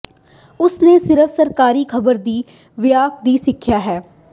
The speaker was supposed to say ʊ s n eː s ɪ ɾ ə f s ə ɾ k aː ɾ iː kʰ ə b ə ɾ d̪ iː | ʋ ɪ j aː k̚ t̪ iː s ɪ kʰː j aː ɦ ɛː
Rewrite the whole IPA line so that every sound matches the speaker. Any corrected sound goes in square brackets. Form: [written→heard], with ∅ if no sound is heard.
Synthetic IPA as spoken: ʊ s n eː s ɪ ɾ ə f s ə ɾ k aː ɾ iː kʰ ə b ə ɾ d̪ iː | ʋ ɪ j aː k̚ [t̪→d̪] iː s ɪ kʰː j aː ɦ ɛː